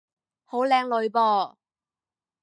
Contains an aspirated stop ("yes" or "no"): no